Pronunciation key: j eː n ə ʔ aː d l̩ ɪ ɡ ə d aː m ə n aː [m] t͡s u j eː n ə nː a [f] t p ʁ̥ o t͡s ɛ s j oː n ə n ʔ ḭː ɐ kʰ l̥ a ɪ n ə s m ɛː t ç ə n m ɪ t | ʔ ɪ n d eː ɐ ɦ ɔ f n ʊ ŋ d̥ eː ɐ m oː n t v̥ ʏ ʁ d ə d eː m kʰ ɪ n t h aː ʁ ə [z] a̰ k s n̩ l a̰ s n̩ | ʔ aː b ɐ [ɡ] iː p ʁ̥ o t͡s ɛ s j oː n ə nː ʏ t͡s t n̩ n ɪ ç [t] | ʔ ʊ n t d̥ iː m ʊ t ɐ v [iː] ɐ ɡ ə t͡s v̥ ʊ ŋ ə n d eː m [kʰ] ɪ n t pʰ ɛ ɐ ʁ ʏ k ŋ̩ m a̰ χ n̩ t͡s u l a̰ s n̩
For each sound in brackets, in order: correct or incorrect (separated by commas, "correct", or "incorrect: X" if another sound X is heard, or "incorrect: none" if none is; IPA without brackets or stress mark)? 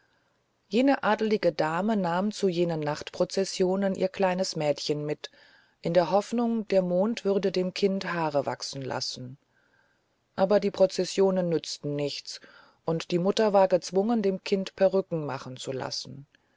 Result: correct, incorrect: χ, incorrect: v, incorrect: d, incorrect: t͡s, incorrect: aː, correct